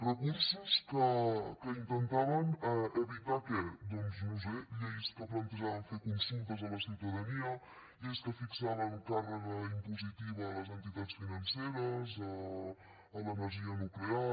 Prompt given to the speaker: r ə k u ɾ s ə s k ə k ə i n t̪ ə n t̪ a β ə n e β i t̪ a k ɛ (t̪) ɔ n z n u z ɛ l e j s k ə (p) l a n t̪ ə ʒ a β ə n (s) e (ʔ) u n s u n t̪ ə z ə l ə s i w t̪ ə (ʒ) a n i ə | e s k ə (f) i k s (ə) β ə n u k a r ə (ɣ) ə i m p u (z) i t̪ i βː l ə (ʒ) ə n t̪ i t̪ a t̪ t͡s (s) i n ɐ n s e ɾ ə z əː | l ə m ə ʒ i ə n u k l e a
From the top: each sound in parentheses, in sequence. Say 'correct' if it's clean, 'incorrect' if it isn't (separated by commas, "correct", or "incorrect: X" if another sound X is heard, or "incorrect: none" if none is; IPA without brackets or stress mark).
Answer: incorrect: d̪, correct, incorrect: f, incorrect: k, incorrect: ð, correct, incorrect: a, correct, correct, incorrect: z, incorrect: f